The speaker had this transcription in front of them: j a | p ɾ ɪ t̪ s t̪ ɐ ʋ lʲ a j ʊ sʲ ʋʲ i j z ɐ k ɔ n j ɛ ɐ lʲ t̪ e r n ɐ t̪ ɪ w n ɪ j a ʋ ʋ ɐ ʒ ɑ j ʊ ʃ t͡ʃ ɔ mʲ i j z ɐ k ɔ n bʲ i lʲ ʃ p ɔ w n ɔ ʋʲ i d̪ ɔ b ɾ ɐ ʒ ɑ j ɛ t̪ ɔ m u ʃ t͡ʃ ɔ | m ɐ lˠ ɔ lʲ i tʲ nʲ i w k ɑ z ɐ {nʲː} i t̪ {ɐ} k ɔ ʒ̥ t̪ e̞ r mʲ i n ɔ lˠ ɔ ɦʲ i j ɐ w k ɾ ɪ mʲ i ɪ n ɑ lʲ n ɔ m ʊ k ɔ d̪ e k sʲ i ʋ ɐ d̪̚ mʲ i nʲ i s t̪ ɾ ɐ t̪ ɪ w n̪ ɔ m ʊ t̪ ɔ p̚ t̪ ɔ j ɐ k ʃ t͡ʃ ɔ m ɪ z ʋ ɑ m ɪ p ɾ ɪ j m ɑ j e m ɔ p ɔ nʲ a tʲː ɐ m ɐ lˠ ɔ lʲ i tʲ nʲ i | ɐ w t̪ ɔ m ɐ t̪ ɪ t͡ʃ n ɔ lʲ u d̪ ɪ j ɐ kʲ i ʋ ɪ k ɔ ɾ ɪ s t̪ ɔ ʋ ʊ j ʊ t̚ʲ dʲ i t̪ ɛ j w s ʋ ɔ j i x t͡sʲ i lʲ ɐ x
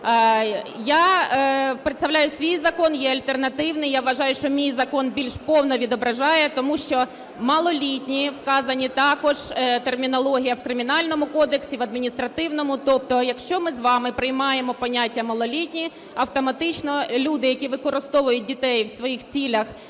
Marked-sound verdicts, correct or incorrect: incorrect, incorrect

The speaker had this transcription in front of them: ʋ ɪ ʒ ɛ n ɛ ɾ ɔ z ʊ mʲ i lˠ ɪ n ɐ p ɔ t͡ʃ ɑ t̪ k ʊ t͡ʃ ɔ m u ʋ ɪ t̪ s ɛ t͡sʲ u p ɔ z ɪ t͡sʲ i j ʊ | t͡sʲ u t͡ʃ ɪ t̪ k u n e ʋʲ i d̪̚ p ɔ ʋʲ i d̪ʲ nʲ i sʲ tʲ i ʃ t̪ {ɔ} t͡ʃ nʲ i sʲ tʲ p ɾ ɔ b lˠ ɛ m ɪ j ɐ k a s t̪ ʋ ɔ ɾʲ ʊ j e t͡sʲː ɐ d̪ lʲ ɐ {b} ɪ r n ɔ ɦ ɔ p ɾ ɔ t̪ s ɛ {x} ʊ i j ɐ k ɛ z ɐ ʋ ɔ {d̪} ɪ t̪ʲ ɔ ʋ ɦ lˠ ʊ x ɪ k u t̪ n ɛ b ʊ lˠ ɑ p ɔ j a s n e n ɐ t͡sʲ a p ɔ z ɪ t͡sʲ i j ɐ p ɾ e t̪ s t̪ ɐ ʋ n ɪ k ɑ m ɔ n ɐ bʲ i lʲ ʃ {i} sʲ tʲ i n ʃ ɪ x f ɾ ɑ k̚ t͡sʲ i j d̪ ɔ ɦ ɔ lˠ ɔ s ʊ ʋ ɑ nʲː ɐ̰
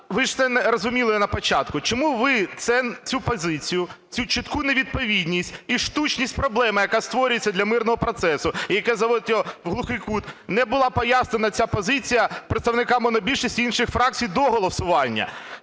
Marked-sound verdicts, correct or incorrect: incorrect, incorrect, incorrect, correct, correct

